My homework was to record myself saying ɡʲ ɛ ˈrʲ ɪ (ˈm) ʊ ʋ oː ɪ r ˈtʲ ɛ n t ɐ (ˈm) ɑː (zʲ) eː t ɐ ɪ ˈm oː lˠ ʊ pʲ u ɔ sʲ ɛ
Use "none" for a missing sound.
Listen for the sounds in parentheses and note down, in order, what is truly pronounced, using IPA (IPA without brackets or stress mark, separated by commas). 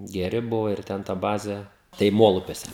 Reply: b, b, zʲ